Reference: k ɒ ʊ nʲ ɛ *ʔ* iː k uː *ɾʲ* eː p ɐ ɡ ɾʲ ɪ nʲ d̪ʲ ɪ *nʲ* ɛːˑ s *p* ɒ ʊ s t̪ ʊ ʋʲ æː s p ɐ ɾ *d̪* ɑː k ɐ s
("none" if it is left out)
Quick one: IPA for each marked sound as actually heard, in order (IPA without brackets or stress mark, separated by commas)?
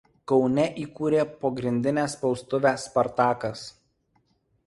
ʔ, ɾʲ, nʲ, p, t̪